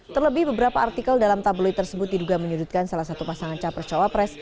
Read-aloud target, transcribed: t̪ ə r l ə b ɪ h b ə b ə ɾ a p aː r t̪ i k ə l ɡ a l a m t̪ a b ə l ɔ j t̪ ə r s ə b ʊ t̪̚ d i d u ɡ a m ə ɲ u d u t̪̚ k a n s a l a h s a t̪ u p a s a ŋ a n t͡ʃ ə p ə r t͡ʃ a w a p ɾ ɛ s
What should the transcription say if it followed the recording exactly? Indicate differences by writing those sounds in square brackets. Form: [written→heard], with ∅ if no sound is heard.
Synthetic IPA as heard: t̪ ə r l ə b ɪ h b ə b ə ɾ a p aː r t̪ i k ə l [ɡ→d] a l a m t̪ a b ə l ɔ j t̪ ə r s ə b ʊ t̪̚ d i d u ɡ a m ə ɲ u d u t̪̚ k a n s a l a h s a t̪ u p a s a ŋ a n t͡ʃ [ə→a] p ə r t͡ʃ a w a p ɾ ɛ s